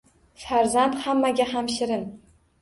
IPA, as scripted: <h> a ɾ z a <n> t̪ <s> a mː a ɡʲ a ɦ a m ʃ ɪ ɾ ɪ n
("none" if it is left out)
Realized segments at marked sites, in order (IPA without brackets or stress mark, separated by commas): f, n, h